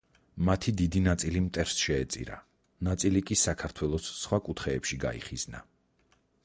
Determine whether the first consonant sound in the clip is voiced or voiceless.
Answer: voiced